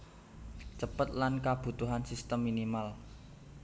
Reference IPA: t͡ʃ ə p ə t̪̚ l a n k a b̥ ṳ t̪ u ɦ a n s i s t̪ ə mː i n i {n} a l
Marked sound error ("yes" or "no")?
yes